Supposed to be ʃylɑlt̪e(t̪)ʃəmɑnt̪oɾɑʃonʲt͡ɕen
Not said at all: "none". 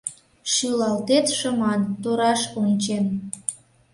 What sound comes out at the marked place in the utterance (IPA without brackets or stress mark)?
t̪